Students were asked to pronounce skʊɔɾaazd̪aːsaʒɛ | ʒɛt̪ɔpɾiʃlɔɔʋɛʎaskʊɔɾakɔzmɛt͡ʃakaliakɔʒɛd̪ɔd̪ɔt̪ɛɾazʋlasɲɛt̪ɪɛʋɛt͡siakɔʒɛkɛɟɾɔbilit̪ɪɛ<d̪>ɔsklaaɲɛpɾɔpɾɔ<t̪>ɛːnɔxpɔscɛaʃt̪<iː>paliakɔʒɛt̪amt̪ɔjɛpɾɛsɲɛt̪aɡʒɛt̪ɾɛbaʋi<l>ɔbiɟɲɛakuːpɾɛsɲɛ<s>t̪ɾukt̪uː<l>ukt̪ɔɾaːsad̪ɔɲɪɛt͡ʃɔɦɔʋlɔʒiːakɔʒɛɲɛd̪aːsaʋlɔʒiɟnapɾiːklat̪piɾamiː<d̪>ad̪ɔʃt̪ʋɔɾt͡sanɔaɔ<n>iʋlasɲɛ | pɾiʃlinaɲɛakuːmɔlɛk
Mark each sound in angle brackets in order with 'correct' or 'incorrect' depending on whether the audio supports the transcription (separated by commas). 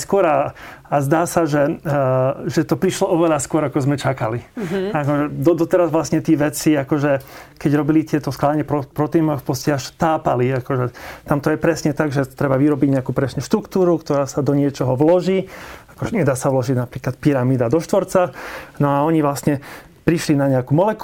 incorrect, correct, incorrect, incorrect, incorrect, incorrect, correct, incorrect